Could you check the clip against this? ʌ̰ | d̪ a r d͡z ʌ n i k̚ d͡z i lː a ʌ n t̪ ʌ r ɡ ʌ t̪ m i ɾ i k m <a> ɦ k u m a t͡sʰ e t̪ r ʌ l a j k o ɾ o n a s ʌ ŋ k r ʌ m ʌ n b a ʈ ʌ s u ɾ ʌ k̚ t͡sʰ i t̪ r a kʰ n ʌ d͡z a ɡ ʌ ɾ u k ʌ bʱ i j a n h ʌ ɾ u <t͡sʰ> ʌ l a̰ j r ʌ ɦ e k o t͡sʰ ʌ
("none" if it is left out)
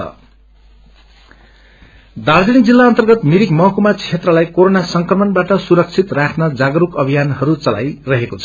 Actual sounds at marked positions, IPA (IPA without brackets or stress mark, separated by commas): ʌ, t͡s